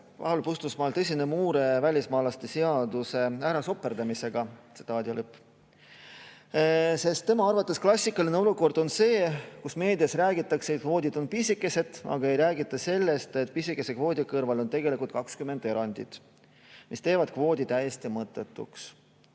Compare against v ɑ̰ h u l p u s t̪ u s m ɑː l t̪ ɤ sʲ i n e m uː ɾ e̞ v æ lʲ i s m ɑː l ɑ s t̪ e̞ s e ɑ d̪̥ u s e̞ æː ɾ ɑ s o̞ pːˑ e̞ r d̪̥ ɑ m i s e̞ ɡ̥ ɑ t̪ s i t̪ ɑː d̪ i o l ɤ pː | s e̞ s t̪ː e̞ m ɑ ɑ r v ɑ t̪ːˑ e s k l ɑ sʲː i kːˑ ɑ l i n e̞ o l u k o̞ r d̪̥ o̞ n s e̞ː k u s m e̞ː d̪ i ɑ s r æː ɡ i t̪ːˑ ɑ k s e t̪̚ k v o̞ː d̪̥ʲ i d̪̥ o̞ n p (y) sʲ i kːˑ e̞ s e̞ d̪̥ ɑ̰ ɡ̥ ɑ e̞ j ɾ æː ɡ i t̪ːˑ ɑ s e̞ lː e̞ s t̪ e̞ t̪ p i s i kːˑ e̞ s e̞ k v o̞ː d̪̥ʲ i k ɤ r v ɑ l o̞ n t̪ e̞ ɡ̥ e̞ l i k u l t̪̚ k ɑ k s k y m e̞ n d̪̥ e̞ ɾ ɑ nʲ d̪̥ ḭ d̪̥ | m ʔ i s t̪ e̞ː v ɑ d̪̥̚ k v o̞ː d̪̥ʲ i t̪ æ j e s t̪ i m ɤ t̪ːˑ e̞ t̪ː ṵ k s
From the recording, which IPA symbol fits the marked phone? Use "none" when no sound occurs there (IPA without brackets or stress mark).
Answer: i